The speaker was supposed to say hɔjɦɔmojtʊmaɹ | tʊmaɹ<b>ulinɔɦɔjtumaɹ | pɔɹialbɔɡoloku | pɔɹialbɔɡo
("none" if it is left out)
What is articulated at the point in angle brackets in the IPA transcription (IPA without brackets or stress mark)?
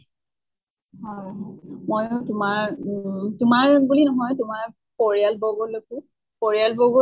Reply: b